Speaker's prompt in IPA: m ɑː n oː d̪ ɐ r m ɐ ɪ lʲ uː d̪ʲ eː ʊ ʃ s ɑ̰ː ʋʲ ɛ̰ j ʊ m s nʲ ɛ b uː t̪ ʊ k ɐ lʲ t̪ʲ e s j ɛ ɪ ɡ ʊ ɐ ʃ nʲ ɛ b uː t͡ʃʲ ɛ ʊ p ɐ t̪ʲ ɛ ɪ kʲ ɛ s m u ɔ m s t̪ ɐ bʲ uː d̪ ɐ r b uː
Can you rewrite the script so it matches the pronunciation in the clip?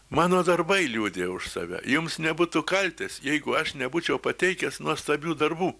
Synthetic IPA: m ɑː n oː d̪ ɐ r b ɐ ɪ lʲ uː d̪ʲ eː ʊ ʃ s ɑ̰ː ʋʲ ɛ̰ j ʊ m s nʲ ɛ b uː t̪ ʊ k ɐ lʲ t̪ʲ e s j ɛ ɪ ɡ ʊ ɐ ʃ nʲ ɛ b uː t͡ʃʲ ɛ ʊ p ɐ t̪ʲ ɛ ɪ kʲ ɛ s n u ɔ s t̪ ɐ bʲ uː d̪ ɐ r b uː